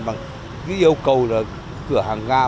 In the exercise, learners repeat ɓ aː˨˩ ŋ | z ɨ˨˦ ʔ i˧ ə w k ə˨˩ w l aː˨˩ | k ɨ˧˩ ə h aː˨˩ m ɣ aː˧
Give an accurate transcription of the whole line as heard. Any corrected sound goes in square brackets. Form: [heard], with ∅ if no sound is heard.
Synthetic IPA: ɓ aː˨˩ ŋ | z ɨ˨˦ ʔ i˧ ə w k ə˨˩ w l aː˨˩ | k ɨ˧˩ ə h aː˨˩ [ŋ] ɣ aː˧